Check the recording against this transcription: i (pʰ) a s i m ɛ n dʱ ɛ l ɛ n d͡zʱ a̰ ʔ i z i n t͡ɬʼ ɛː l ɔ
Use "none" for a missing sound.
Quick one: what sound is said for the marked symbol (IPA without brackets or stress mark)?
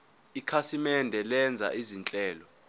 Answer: kʰ